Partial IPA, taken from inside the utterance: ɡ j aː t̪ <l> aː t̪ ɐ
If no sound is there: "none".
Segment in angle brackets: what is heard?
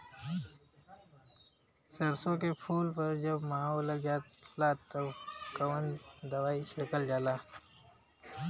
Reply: l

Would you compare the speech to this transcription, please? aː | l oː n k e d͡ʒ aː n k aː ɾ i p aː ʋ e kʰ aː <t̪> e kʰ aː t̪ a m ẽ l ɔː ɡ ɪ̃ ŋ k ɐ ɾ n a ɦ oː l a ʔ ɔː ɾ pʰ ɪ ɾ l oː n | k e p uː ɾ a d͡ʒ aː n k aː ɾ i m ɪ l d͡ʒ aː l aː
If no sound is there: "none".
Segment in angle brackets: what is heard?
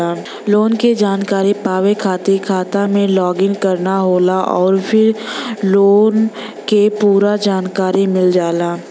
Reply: t̪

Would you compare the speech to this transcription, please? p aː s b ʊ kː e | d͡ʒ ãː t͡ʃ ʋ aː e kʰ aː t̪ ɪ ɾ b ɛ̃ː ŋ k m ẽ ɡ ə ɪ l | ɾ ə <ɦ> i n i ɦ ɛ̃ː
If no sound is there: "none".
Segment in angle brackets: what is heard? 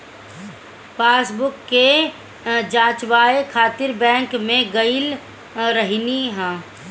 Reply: ɦ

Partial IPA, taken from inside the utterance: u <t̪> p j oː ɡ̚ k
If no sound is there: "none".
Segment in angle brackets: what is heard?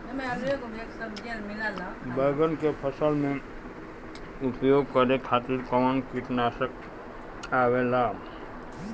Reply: none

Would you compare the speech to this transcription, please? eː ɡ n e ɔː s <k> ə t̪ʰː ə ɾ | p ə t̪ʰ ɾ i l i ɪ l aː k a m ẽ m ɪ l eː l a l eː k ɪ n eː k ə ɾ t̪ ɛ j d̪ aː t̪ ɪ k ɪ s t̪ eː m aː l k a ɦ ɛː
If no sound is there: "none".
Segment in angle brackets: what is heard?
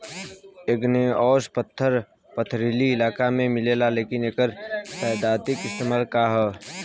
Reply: p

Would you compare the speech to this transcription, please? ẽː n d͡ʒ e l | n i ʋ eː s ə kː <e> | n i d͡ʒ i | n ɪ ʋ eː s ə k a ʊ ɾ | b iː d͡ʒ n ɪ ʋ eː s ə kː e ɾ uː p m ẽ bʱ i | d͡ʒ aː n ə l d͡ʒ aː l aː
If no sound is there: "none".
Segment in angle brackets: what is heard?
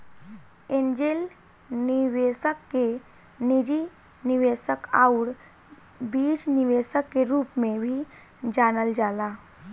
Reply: e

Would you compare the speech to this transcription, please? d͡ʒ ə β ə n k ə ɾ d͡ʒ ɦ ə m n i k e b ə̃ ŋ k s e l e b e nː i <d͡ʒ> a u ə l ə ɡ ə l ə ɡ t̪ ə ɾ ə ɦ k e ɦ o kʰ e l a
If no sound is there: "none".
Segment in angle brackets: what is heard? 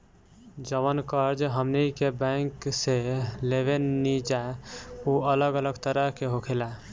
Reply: d͡ʒ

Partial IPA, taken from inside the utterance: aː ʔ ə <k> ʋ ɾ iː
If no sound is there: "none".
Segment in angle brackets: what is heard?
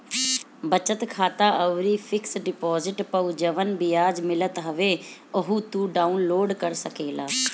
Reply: none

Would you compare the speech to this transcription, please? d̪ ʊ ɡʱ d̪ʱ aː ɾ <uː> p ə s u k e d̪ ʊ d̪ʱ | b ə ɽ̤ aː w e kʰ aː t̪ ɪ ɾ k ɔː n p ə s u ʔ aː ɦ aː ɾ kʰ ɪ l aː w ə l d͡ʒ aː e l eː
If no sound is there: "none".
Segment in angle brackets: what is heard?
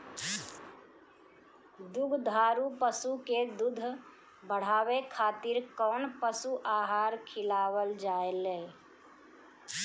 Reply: u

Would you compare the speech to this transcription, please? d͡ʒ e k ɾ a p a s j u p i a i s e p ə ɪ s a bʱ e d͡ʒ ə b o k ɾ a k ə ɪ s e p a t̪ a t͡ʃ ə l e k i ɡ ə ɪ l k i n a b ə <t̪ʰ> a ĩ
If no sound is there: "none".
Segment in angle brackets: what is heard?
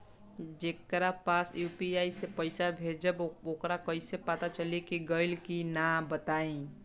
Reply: t̪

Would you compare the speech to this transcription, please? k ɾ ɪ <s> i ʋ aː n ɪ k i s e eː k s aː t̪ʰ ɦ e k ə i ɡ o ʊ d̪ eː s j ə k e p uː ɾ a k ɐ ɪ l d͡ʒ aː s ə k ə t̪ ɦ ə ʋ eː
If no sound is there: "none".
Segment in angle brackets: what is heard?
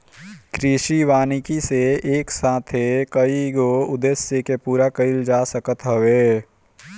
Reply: ʃ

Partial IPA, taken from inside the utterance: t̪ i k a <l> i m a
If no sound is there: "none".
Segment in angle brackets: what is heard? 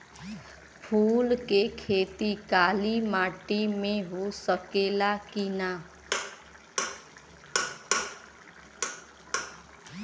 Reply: l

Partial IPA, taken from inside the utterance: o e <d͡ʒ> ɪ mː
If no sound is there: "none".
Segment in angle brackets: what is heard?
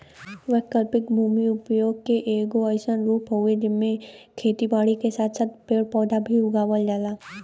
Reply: d͡ʒ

